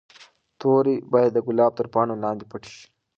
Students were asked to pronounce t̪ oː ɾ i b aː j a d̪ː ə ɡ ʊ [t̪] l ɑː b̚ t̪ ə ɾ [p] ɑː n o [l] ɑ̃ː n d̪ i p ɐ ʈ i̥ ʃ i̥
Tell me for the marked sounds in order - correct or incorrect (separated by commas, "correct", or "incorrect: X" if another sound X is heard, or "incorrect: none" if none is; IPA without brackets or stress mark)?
incorrect: none, correct, correct